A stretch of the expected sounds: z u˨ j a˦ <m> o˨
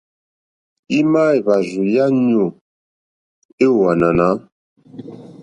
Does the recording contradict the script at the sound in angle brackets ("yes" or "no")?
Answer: yes